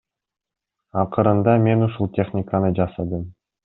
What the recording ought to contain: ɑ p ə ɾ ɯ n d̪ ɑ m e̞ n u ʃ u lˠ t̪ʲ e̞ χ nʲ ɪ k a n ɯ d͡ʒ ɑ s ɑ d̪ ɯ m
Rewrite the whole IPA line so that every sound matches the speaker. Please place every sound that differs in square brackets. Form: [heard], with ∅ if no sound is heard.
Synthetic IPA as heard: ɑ [q] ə ɾ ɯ n d̪ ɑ m e̞ n u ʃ u lˠ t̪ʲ e̞ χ nʲ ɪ k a n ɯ d͡ʒ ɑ s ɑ d̪ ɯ m